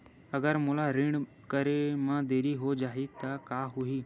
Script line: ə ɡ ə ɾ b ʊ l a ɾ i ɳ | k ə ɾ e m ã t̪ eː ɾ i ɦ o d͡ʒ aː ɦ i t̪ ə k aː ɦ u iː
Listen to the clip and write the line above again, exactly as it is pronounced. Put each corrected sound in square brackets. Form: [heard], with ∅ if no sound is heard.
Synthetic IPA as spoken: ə ɡ ə ɾ [m] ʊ l a ɾ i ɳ | k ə ɾ e m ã [d̪] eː ɾ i ɦ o d͡ʒ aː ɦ i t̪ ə k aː ɦ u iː